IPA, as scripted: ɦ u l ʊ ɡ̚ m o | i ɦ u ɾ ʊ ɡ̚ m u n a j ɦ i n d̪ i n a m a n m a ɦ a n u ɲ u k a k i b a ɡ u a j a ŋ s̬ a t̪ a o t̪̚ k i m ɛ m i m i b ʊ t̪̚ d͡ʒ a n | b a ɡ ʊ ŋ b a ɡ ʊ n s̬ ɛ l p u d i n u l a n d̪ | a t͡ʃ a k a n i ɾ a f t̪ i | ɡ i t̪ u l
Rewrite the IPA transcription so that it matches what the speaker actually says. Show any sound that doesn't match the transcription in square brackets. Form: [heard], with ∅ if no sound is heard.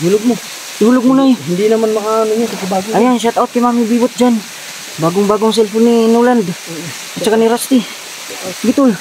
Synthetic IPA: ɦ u l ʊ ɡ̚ m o | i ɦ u [l] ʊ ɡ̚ m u n a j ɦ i n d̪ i n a m a n m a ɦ a n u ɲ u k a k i b a ɡ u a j a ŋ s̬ a t̪ a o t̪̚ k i m [a] m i [b] i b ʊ t̪̚ d͡ʒ a n | b a ɡ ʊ ŋ b a ɡ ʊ [ŋ] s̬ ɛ l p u [n] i n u l a n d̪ | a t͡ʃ a k a n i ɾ a [s] t̪ i | ɡ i t̪ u l